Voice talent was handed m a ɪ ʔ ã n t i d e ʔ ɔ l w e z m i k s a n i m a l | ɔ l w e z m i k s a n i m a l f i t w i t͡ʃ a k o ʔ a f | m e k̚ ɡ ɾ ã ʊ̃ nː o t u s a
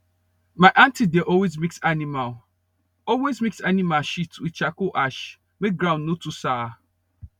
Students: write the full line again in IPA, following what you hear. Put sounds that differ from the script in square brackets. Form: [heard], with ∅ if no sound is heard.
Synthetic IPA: m a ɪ ʔ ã n t i d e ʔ ɔ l w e z m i k s a n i m a l | ɔ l w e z m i k s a n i m a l [ʃ] i t w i t͡ʃ a k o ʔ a [ʃ] | m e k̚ ɡ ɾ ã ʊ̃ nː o t u s a